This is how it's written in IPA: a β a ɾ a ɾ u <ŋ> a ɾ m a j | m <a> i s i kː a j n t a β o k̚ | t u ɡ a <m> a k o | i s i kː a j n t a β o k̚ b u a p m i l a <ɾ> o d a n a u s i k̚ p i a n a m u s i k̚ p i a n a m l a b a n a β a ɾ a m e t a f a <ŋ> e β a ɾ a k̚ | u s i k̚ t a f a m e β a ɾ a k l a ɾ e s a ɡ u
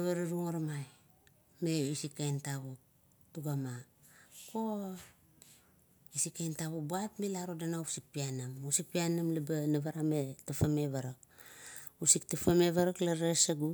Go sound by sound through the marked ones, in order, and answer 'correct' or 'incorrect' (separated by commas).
correct, incorrect, correct, correct, incorrect